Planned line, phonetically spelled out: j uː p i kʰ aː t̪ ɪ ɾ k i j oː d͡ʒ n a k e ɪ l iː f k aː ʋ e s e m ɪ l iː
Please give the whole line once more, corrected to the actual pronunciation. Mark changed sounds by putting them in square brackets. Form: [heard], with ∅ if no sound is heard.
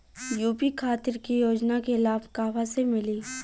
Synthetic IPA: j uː p i kʰ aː t̪ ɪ ɾ k i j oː d͡ʒ n a k e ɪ l [aː] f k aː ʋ [a] s e m ɪ l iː